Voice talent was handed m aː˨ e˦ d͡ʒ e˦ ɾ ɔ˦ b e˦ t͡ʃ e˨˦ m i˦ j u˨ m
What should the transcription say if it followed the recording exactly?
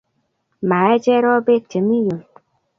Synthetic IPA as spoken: m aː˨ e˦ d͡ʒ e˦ ɾ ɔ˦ b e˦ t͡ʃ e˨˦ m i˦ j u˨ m